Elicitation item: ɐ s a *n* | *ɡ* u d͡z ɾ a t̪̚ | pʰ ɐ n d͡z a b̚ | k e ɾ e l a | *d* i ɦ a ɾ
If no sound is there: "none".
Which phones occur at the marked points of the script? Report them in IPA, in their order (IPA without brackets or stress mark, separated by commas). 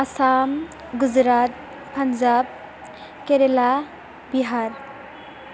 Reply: m, ɡ, b